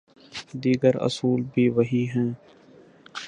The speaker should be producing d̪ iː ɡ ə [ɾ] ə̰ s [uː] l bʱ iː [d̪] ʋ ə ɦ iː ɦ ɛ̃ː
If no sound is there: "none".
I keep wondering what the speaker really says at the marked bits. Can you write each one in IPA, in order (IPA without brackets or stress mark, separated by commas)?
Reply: ɾ, uː, none